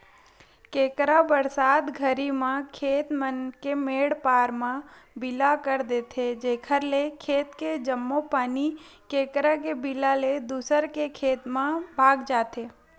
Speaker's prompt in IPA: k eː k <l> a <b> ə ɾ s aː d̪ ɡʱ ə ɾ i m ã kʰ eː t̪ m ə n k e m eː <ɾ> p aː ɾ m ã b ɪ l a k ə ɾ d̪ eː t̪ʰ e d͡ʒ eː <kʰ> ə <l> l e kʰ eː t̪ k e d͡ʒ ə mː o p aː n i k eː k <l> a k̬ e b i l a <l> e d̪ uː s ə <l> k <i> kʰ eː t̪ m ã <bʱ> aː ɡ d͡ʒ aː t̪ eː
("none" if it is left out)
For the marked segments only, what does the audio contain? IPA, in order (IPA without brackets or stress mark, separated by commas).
ɾ, b, ɽ, kʰ, ɾ, ɾ, l, ɾ, e, bʱ